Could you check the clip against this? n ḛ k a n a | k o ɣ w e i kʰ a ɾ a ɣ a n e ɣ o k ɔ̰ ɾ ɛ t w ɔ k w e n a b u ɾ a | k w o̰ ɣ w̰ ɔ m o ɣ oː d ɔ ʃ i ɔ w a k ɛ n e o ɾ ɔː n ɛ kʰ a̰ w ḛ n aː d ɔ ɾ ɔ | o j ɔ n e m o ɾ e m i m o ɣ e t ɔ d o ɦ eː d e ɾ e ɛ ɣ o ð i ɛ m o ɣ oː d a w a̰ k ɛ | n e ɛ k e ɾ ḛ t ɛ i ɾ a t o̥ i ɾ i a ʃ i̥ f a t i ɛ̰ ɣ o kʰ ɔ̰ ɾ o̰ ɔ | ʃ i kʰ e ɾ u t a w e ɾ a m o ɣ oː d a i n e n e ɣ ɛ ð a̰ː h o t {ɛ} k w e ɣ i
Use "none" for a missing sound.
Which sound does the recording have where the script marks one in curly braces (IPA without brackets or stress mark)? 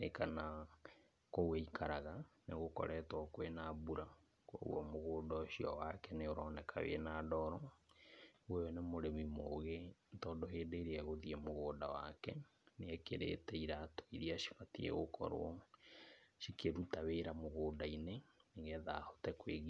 ɛ